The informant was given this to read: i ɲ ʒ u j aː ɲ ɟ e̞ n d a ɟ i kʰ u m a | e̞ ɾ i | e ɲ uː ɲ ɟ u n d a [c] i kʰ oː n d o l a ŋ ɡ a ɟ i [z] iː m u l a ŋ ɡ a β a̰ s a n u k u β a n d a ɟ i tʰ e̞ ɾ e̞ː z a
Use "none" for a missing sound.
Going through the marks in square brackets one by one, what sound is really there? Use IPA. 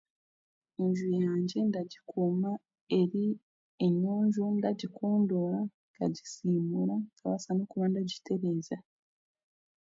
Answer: ɟ, s

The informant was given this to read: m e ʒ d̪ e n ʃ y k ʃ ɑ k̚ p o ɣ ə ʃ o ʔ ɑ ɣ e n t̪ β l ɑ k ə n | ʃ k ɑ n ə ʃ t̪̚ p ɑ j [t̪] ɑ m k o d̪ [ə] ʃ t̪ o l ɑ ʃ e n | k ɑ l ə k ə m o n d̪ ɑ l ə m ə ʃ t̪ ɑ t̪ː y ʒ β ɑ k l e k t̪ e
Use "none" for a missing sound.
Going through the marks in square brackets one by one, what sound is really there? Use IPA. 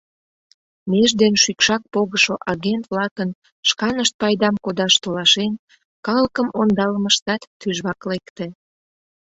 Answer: d̪, ɑ

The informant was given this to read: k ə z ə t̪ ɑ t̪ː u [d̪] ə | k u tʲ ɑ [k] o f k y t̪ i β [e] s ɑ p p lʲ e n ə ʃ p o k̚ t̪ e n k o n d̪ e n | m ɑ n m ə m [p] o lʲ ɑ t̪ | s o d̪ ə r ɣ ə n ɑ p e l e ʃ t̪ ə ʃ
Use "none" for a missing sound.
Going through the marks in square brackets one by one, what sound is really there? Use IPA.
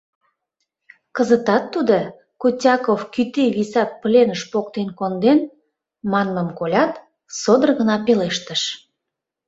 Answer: d̪, k, i, k

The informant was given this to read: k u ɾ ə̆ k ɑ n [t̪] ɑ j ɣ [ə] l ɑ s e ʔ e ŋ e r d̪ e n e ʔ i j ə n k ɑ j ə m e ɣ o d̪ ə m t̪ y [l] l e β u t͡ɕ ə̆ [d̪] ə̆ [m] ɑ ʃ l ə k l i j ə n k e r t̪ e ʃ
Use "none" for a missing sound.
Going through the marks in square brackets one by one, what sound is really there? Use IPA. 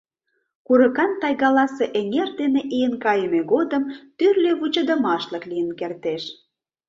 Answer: t̪, ɑ, r, d̪, m

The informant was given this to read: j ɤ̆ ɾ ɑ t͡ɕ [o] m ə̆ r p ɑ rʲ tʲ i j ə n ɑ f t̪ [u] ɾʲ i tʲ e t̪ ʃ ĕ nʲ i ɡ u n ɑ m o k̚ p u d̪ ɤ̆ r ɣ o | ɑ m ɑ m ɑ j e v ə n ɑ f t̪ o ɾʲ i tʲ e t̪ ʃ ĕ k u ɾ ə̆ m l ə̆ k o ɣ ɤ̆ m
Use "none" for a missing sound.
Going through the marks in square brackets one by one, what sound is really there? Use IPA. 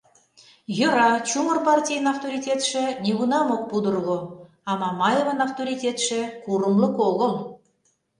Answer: u, o

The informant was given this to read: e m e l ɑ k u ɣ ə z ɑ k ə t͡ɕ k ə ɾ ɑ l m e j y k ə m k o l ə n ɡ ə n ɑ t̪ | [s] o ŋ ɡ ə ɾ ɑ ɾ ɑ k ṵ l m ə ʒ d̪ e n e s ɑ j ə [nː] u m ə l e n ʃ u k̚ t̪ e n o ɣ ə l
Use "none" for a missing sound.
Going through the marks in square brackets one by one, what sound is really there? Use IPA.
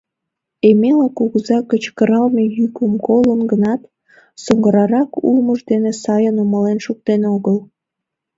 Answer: s, n

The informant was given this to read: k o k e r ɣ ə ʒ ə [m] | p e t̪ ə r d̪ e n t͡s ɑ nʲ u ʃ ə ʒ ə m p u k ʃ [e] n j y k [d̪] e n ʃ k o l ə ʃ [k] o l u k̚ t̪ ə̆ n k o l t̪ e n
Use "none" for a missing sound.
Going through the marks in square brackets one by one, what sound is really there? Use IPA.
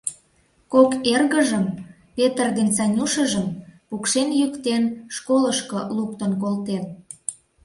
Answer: m, e, t̪, k

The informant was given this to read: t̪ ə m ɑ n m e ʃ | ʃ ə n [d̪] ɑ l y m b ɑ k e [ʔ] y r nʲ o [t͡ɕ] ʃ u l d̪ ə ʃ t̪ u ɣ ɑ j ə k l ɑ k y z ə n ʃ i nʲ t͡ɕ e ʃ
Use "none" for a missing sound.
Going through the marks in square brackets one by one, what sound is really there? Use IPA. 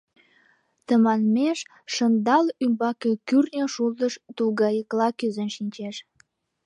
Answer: d̪, k, none

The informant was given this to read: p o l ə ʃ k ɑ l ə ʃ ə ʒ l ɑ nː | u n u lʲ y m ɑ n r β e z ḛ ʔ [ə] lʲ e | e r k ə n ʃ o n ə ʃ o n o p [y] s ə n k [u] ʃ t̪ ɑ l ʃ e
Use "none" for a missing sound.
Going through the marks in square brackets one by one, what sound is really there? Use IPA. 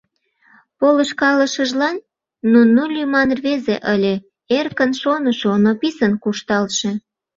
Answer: ə, i, u

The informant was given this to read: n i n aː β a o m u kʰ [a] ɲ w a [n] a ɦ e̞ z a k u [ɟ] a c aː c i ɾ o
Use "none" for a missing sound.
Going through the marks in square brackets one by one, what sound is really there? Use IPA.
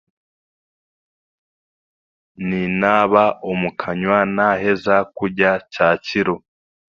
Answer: a, n, ɟ

